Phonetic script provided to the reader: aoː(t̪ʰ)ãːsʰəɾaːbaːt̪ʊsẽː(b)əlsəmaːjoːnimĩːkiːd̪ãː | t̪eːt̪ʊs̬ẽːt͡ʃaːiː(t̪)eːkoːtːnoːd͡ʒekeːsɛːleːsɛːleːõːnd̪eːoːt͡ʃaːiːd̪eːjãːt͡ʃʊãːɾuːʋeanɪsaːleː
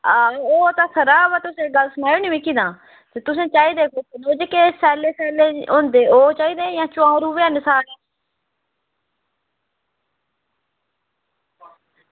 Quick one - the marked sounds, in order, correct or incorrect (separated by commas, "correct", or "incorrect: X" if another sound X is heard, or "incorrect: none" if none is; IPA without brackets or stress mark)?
incorrect: t̪, incorrect: ɡ, incorrect: d̪